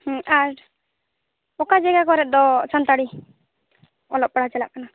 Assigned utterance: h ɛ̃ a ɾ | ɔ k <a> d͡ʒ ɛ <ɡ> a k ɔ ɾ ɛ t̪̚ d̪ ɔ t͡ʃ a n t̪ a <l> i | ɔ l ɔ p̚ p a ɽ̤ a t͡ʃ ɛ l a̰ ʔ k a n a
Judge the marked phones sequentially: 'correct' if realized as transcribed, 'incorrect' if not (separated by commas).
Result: correct, correct, incorrect